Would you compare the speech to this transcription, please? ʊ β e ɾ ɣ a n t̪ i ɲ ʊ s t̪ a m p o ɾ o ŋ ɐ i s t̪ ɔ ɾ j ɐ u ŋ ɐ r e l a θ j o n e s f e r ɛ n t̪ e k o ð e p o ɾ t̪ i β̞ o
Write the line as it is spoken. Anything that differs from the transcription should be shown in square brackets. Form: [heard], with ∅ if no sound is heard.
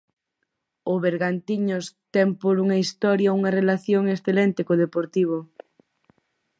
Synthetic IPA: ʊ β e ɾ ɣ a n t̪ i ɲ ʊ s t̪ [ɛ] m p o ɾ [u] ŋ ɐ i s t̪ ɔ ɾ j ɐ u ŋ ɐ r e l a θ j o [ŋ] e s [θ] e [l] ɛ n t̪ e k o ð e p o ɾ t̪ i β̞ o